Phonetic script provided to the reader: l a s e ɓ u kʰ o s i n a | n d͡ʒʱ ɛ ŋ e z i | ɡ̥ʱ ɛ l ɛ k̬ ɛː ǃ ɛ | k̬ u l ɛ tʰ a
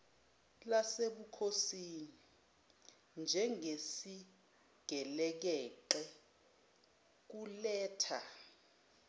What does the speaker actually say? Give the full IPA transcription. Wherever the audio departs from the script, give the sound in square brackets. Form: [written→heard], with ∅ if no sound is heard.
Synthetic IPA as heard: l a s e ɓ u kʰ o s i n [a→i] | n d͡ʒʱ ɛ ŋ e [z→s] i | ɡ̥ʱ ɛ l ɛ k̬ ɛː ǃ ɛ | k̬ u l [ɛ→ɛː] tʰ a

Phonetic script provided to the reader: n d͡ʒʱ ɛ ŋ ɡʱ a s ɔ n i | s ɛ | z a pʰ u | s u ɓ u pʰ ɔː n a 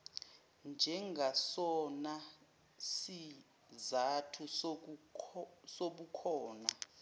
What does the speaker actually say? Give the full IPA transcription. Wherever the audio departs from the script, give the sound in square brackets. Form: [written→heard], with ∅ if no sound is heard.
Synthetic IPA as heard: n d͡ʒʱ ɛ ŋ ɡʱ a s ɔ n [i→a] | s [ɛ→i] | z a [pʰ→tʰ] u | s [u→o] ɓ u [pʰ→kʰ] ɔː n a

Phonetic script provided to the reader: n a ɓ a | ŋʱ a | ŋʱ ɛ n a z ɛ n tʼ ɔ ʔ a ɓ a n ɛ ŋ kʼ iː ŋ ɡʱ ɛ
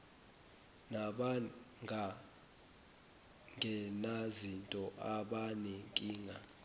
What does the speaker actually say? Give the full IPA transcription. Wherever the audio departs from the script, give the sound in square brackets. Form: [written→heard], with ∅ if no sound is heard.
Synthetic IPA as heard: n a ɓ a | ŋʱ a | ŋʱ ɛ n a z [ɛ→i] n tʼ ɔ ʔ a ɓ a n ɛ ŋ kʼ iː ŋ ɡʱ [ɛ→a]

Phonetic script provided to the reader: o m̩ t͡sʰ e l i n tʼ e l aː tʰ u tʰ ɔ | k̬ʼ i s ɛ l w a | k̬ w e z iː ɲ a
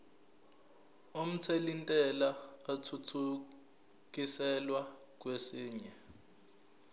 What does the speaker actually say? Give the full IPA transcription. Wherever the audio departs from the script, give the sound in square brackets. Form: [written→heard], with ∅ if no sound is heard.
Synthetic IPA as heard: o m̩ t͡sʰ e l i n tʼ [e→ɛ] l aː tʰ u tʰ [ɔ→u] | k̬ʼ i s ɛ l w a | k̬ w e [z→s] iː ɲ [a→ɛ]

